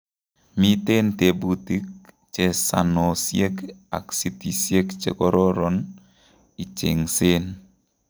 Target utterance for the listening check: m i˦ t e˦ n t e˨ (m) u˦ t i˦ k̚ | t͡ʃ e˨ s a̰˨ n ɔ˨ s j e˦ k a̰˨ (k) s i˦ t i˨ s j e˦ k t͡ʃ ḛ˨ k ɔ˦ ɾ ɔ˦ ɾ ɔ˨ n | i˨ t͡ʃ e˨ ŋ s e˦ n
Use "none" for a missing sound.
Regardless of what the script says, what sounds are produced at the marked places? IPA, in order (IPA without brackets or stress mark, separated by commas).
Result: b, k